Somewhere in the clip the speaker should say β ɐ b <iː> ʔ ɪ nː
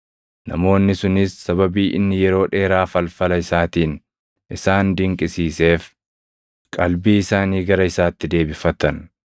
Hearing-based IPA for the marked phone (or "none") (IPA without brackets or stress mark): iː